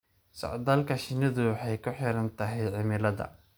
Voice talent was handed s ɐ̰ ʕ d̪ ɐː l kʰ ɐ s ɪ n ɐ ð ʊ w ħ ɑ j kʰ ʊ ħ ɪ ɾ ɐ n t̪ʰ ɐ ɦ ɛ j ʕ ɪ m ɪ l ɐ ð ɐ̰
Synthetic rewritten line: s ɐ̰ ʕ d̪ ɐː l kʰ ɐ ʃ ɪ n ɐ ð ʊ w ħ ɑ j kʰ ʊ ħ ɪ ɾ ɐ n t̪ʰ ɐ ɦ ɛ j ʕ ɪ m ɪ l ɐ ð ɐ̰